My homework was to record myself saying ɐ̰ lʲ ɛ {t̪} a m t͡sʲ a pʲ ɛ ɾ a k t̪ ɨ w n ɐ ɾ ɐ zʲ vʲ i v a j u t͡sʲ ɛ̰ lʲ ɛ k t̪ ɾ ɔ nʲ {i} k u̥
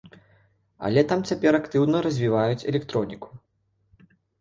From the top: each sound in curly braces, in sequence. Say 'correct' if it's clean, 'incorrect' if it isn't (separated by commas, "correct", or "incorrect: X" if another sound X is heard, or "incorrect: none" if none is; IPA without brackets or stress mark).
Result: correct, correct